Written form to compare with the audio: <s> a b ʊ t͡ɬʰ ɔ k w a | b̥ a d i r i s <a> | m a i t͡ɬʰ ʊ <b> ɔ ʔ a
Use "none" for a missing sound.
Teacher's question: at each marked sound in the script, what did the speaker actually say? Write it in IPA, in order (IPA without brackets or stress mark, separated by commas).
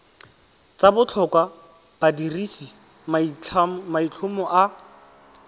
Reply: t͡s, i, m